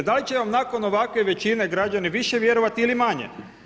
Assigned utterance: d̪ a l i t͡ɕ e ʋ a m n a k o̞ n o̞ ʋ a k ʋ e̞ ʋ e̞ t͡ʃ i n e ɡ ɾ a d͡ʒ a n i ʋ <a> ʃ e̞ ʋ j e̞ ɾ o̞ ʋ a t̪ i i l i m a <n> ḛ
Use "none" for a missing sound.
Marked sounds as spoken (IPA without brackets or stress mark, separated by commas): i, ɲ